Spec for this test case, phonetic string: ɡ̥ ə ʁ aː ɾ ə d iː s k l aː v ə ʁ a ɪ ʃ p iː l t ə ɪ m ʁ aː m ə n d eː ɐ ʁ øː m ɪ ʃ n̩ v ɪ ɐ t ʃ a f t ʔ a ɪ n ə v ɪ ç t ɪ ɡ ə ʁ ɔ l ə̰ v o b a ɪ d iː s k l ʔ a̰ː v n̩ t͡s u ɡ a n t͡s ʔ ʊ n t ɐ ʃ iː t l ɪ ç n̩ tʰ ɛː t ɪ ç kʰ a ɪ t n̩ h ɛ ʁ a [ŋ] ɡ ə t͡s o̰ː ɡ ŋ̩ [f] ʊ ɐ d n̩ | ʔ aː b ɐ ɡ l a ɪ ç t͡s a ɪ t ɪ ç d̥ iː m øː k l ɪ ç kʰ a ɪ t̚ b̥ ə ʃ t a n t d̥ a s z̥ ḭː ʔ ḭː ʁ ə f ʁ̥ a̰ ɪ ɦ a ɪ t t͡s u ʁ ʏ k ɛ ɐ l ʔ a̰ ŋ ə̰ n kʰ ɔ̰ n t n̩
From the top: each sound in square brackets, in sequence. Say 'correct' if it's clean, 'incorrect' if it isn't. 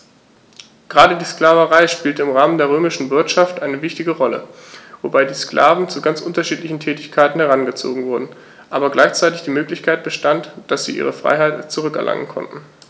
incorrect: n, incorrect: v

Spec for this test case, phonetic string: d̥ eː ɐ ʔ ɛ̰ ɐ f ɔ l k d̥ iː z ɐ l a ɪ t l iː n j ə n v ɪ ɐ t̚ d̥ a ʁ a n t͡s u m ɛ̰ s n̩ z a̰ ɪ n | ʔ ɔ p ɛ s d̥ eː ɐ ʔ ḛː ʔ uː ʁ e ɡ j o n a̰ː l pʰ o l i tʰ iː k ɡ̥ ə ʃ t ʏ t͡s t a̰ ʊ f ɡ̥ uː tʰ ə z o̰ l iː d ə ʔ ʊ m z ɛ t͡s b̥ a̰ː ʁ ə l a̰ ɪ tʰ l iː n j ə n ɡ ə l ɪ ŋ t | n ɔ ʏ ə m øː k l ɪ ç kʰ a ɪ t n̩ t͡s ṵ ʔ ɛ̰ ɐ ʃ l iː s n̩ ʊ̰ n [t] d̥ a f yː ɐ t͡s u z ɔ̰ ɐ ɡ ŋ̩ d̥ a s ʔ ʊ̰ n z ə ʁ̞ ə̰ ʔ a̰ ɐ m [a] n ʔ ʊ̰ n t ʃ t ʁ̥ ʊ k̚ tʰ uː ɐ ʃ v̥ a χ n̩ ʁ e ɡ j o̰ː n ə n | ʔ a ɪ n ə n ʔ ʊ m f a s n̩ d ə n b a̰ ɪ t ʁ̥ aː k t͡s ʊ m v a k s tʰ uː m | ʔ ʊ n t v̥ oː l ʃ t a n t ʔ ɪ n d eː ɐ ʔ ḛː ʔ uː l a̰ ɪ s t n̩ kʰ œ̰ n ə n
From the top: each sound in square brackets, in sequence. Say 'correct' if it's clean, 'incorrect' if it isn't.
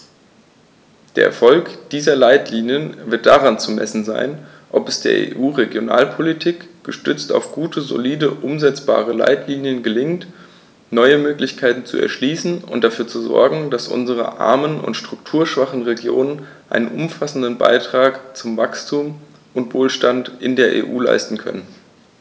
correct, incorrect: ə

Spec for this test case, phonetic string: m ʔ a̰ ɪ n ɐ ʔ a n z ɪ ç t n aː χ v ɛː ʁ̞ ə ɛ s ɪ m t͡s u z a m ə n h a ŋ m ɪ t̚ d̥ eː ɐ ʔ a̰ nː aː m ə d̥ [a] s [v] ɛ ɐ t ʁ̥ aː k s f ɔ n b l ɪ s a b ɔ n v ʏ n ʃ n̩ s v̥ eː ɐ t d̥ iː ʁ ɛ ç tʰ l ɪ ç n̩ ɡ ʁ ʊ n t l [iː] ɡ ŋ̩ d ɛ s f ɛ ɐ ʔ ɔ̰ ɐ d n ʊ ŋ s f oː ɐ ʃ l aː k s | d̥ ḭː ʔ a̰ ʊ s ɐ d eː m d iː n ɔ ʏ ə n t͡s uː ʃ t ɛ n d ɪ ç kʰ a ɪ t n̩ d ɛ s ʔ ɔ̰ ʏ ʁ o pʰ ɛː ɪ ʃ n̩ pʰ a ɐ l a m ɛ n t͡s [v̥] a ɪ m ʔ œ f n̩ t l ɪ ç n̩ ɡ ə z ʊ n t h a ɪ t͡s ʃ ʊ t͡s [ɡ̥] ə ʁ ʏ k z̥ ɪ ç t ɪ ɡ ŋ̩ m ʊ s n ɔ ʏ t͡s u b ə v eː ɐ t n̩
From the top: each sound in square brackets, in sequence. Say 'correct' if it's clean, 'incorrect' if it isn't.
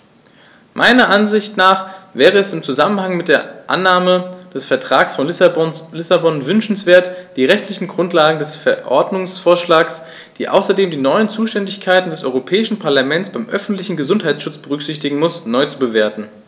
incorrect: ɛ, incorrect: f, incorrect: aː, incorrect: b̥, incorrect: b̥

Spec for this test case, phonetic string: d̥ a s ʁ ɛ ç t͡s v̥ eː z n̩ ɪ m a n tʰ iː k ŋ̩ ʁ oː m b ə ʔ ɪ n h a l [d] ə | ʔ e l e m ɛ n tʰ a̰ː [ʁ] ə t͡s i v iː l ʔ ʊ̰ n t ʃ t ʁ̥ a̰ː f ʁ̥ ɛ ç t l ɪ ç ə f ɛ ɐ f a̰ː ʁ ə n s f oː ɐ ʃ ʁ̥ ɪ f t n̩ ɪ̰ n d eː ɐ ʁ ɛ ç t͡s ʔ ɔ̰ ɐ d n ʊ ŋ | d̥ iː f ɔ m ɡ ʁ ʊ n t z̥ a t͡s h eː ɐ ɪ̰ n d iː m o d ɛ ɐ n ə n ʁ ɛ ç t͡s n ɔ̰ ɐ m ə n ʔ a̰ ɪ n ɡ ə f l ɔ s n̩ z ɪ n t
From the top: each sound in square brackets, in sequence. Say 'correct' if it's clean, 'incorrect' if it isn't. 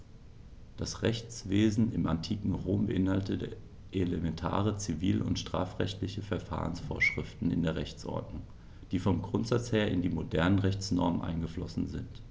incorrect: t, correct

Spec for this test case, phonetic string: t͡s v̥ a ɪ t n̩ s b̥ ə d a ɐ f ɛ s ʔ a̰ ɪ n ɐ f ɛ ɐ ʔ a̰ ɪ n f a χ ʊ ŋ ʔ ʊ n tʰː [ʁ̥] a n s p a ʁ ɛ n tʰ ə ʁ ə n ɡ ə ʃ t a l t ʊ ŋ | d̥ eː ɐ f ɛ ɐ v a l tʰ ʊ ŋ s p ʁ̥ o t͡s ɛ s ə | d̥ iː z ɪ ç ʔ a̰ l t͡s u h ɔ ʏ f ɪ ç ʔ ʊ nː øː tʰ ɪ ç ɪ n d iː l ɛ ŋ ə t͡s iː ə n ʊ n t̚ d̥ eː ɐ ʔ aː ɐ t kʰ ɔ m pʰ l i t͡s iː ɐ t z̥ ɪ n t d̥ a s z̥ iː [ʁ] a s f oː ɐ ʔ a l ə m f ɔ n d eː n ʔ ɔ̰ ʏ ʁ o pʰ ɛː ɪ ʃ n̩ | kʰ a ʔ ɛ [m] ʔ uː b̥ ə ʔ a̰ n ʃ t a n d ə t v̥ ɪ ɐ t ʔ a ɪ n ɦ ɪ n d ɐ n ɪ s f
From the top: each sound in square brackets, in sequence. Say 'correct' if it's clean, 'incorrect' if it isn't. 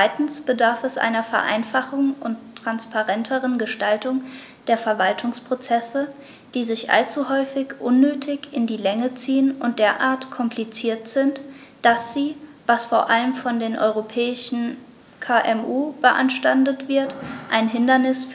correct, incorrect: v, correct

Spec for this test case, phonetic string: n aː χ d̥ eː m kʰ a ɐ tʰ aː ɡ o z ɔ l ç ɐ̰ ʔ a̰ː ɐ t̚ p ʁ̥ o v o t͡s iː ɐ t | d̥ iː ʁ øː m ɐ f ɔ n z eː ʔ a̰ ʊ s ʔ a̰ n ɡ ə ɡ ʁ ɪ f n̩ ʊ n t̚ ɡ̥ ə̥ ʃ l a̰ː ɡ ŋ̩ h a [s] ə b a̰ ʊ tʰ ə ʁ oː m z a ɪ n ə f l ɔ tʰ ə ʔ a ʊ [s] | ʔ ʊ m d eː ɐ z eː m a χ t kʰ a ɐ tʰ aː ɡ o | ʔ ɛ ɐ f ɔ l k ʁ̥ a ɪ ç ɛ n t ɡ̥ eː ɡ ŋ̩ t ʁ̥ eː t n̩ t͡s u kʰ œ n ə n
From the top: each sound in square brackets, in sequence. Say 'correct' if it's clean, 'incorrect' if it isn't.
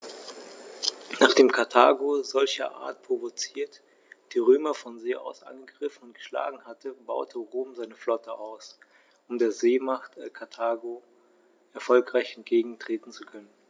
incorrect: t, correct

